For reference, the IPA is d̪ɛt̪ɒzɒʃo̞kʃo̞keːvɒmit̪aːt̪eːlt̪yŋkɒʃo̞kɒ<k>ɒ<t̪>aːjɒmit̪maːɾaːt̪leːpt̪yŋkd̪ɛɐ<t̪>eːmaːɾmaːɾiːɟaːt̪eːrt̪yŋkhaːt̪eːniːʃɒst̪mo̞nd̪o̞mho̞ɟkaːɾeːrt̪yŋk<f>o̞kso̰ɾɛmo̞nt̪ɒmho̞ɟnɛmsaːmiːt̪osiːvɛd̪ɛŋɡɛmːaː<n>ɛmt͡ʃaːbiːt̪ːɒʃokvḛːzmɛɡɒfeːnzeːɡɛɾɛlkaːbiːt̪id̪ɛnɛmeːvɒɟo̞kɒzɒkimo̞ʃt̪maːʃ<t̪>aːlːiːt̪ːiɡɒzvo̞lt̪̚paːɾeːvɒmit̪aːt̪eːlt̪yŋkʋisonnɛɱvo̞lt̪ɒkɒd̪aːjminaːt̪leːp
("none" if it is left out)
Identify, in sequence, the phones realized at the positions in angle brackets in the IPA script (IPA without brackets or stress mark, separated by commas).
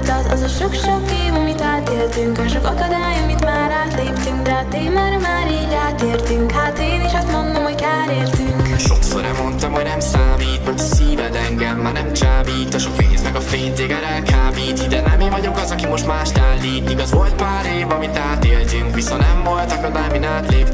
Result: k, d̪, t̪, ʃ, n, t̪